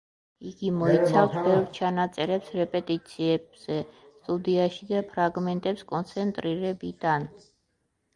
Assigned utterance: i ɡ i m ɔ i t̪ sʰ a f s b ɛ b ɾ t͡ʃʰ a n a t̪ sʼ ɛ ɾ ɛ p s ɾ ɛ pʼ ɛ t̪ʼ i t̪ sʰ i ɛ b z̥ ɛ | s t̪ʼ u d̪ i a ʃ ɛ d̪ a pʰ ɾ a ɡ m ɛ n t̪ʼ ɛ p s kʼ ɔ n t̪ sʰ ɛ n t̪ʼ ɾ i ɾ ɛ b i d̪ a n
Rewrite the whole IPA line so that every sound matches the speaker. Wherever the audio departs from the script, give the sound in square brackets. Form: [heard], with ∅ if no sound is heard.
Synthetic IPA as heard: i ɡ i m ɔ i t̪ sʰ a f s b ɛ [v] ɾ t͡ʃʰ a n a t̪ sʼ ɛ ɾ ɛ p s ɾ ɛ pʼ ɛ t̪ʼ i t̪ sʰ i ɛ b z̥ ɛ | s t̪ʼ u d̪ i a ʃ [i] d̪ a pʰ ɾ a ɡ m ɛ n t̪ʼ ɛ p s kʼ ɔ n t̪ sʰ ɛ n t̪ʼ ɾ i ɾ ɛ b i d̪ a n

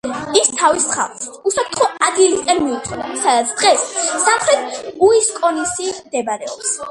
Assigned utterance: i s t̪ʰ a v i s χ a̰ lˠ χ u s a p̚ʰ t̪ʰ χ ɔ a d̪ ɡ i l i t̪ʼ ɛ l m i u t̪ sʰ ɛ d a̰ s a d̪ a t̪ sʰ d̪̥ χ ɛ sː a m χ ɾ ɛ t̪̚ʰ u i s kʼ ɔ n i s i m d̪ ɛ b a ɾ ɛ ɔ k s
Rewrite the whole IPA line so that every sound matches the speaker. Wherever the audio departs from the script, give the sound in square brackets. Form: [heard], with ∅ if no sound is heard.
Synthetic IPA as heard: i s t̪ʰ a v i s χ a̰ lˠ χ u s a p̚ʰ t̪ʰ χ ɔ a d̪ ɡ i l i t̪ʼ ɛ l m i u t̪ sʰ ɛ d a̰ s a d̪ a t̪ sʰ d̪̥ [ʁ] ɛ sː a m χ ɾ ɛ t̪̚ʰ u i s kʼ ɔ n i s i m d̪ ɛ b a ɾ ɛ ɔ [p] s

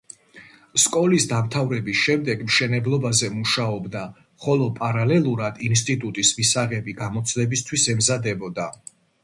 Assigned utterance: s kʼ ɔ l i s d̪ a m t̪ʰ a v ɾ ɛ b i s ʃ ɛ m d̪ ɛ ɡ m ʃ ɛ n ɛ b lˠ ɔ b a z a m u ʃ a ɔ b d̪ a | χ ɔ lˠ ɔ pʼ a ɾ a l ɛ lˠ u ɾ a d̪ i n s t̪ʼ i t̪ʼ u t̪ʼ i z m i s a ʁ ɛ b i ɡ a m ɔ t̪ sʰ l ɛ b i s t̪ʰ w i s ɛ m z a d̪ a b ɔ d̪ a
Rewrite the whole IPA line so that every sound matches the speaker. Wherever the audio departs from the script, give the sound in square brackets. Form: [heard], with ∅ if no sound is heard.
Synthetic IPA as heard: s kʼ ɔ l i s d̪ a m t̪ʰ a v ɾ ɛ b i s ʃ ɛ m d̪ ɛ ɡ m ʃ ɛ n ɛ b lˠ ɔ b a z [ɛ] m u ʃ a ɔ b d̪ a | χ ɔ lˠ ɔ pʼ a ɾ a l ɛ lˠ u ɾ a d̪ i n s t̪ʼ i t̪ʼ u t̪ʼ i [s] m i s a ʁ ɛ b i ɡ a m ɔ t̪ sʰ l ɛ b i s t̪ʰ w i s ɛ m z a d̪ [ɛ] b ɔ d̪ a

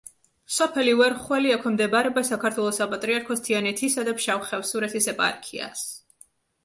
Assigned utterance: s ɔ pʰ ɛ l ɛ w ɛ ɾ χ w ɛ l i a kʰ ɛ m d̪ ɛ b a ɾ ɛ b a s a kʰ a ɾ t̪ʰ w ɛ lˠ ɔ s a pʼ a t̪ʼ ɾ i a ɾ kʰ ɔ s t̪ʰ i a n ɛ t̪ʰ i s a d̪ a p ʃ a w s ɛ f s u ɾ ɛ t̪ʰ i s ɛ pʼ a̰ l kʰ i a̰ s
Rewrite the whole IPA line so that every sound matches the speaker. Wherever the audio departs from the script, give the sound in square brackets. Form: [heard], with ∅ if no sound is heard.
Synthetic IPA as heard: s ɔ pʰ ɛ l [i] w ɛ ɾ χ w ɛ l i a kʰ ɛ m d̪ ɛ b a ɾ ɛ b a s a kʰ a ɾ t̪ʰ w ɛ lˠ ɔ s a pʼ a t̪ʼ ɾ i a ɾ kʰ ɔ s t̪ʰ i a n ɛ t̪ʰ i s a d̪ a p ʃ a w [χ] ɛ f s u ɾ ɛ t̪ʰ i s ɛ pʼ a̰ [ɾ] kʰ i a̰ s

